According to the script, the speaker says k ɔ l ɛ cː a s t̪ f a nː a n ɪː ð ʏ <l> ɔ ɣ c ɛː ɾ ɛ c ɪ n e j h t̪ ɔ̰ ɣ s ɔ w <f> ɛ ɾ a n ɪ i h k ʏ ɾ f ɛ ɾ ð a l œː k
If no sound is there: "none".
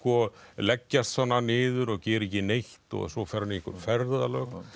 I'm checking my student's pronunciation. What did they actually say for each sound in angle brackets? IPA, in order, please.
ɾ, f

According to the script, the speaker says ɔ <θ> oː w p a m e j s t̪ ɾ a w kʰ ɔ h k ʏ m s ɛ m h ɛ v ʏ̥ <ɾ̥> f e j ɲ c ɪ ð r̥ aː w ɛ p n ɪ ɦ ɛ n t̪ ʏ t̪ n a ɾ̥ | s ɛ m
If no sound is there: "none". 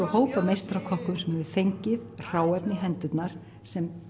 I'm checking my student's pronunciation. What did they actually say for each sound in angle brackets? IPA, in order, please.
h, none

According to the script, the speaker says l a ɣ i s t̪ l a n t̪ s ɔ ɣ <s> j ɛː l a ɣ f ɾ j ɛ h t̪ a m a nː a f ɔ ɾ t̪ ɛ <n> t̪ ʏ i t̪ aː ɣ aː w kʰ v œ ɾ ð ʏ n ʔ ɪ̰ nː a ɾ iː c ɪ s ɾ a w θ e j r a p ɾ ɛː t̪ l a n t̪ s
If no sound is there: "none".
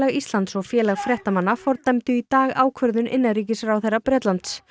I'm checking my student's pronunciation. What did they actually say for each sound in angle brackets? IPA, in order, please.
f, m

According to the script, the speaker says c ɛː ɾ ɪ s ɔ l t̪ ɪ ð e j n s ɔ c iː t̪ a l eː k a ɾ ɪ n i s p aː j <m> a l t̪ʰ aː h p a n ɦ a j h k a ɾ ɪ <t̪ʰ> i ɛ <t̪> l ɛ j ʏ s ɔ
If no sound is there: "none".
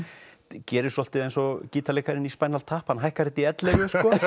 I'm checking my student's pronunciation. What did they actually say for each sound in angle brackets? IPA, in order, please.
n, t̪, t̪

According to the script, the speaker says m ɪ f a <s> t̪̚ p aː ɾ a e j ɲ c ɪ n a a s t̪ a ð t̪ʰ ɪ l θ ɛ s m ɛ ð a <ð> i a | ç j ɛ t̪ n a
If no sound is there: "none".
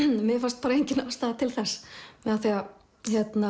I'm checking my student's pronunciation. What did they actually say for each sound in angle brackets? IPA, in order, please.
s, θ

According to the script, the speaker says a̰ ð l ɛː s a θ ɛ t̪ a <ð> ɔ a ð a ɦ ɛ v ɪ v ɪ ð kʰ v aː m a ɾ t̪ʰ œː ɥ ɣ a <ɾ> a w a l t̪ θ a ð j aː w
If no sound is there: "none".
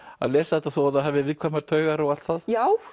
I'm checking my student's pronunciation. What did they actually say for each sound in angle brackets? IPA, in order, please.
θ, ɾ

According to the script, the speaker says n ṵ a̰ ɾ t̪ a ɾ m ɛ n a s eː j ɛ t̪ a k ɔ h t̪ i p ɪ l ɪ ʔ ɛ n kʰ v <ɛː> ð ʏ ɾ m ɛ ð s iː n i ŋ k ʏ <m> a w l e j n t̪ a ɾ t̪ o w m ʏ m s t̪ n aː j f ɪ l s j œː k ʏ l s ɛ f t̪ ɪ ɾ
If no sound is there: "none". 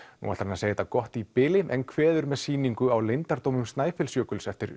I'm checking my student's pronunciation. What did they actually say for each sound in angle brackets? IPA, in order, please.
ɛː, none

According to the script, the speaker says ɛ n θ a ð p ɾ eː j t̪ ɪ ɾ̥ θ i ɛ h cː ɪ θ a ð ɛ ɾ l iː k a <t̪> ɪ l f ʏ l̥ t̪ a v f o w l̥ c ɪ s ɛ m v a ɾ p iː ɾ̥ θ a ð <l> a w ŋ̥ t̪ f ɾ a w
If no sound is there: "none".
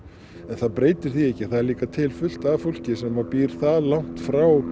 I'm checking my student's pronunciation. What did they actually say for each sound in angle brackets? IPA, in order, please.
t̪ʰ, l

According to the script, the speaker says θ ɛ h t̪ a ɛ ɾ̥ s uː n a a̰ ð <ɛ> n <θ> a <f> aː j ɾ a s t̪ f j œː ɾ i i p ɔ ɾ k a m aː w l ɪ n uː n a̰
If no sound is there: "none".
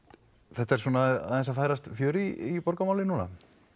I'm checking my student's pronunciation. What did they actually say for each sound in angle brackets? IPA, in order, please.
ɛ, s, f

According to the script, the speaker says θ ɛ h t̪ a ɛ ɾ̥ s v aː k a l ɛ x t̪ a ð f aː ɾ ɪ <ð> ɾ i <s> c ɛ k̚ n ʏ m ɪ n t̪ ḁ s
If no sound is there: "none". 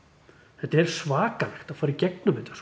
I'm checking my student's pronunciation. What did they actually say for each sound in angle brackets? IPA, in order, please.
none, none

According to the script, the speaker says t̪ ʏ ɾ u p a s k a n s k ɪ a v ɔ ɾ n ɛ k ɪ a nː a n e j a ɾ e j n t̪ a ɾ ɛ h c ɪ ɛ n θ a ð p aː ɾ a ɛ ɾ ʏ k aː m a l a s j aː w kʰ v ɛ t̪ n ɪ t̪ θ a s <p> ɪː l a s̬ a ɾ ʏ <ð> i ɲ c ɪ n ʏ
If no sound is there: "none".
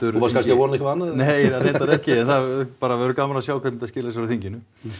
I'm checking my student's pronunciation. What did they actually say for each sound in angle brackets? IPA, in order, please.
c, θ

